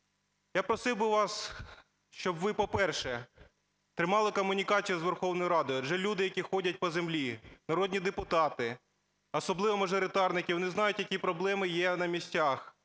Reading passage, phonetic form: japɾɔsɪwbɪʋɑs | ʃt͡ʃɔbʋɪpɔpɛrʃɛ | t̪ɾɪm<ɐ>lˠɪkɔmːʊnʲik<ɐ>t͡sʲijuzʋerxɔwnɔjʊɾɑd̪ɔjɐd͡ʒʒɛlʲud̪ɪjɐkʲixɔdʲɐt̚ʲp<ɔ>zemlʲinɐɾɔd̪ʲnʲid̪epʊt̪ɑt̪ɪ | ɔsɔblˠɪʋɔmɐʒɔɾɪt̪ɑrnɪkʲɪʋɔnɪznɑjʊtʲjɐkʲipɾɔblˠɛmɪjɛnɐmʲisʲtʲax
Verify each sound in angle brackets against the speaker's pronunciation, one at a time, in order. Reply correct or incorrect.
incorrect, incorrect, correct

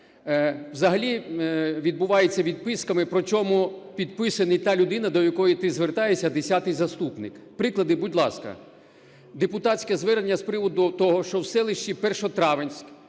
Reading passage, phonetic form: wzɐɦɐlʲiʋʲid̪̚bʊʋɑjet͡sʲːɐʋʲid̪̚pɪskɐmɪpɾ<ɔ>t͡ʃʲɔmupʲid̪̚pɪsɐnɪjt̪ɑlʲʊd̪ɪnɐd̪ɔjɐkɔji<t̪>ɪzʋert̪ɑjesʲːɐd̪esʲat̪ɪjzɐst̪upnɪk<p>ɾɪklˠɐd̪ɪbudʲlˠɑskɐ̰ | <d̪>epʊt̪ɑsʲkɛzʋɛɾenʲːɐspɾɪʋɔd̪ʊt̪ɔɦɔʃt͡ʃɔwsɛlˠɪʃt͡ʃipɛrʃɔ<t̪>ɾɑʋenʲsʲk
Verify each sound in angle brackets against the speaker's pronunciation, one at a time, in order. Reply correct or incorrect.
correct, correct, correct, correct, correct

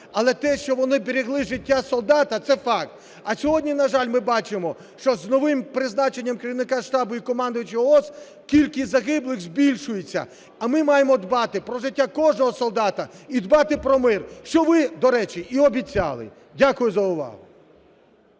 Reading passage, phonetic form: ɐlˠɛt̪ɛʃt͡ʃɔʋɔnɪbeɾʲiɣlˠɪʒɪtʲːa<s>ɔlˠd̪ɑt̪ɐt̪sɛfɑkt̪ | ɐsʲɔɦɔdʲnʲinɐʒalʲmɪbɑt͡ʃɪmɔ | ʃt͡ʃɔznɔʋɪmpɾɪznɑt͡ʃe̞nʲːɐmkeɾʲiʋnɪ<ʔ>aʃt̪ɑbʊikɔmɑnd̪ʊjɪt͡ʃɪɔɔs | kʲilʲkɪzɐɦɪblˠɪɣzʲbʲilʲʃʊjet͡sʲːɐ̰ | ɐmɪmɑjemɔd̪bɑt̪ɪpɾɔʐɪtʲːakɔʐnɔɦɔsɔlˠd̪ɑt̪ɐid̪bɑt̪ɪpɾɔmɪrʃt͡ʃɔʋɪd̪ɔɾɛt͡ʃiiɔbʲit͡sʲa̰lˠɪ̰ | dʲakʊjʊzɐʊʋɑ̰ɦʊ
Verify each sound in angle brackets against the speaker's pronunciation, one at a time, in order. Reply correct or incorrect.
correct, incorrect

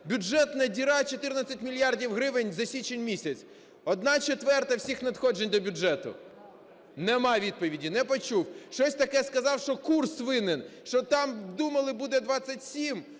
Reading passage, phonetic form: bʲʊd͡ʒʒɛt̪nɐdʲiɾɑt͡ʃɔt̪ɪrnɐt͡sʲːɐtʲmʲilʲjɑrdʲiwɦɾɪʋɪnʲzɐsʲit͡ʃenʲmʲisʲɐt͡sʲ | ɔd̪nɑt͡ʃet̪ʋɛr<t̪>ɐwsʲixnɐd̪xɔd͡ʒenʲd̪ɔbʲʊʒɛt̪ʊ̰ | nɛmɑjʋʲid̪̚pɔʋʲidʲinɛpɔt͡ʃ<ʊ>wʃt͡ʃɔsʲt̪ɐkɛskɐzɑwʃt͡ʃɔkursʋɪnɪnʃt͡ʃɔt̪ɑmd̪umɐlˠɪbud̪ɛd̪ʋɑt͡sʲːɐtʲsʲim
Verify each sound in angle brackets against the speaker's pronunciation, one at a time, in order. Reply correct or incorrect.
correct, incorrect

